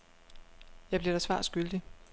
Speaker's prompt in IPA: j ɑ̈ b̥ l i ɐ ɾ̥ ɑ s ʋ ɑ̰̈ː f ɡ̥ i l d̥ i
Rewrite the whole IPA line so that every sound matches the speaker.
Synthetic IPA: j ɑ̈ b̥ l i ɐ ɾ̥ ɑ s ʋ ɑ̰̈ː s ɡ̥ y l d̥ i